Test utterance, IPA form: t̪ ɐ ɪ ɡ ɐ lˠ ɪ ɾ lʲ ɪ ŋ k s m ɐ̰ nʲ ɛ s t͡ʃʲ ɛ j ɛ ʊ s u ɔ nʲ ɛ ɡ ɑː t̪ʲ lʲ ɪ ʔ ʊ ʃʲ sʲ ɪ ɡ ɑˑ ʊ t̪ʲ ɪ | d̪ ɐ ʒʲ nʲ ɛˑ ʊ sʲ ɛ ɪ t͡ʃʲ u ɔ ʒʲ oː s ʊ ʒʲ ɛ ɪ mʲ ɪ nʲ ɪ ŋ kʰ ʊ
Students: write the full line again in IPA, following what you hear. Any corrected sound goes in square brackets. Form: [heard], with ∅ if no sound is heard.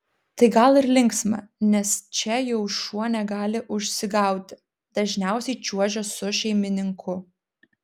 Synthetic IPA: t̪ ɐ ɪ ɡ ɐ lˠ ɪ ɾ lʲ ɪ ŋ k s m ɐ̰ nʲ ɛ s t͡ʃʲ ɛ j ɛ ʊ [ʃ] u ɔ nʲ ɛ ɡ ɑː [∅] lʲ ɪ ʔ ʊ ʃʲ sʲ ɪ ɡ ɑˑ ʊ t̪ʲ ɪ | d̪ ɐ ʒʲ nʲ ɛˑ ʊ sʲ ɛ ɪ t͡ʃʲ u ɔ ʒʲ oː s ʊ [ʃʲ] ɛ ɪ mʲ ɪ nʲ ɪ ŋ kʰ ʊ

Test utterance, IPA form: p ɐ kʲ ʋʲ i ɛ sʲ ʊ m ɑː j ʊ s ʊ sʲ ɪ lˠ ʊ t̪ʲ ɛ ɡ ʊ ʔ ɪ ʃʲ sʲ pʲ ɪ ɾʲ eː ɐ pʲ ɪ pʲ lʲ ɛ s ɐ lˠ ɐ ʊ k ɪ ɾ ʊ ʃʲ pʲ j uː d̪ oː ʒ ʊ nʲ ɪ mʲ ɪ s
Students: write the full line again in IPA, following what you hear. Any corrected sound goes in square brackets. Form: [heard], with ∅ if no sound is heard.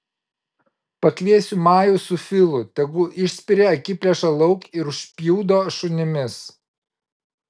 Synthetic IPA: p ɐ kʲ ʋʲ i ɛ sʲ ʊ m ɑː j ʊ s ʊ [fʲ] ɪ lˠ ʊ t̪ʲ ɛ ɡ ʊ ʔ ɪ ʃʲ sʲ pʲ ɪ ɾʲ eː ɐ [kʲ] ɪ pʲ lʲ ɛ [ʃ] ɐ lˠ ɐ ʊ k ɪ ɾ ʊ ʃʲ pʲ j uː d̪ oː [ʃ] ʊ nʲ ɪ mʲ ɪ s

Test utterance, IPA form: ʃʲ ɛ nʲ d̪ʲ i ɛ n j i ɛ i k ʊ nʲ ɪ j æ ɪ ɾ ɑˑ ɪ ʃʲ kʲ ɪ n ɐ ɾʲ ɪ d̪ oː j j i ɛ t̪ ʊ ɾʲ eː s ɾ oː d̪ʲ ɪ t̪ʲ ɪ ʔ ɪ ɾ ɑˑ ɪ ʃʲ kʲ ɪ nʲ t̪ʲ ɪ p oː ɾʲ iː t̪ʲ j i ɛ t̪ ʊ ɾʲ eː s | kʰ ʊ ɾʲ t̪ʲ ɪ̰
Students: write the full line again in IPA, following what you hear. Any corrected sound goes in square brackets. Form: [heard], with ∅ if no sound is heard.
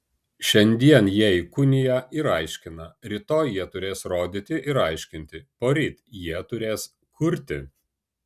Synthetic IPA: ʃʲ ɛ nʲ d̪ʲ i ɛ n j i ɛ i k ʊ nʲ ɪ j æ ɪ ɾ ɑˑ ɪ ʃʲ kʲ ɪ n ɐ ɾʲ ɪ [t̪] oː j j i ɛ t̪ ʊ ɾʲ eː s ɾ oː d̪ʲ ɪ t̪ʲ ɪ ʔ ɪ ɾ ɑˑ ɪ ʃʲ kʲ ɪ nʲ t̪ʲ ɪ p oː ɾʲ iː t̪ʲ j i ɛ t̪ ʊ ɾʲ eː s | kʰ ʊ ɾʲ t̪ʲ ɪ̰

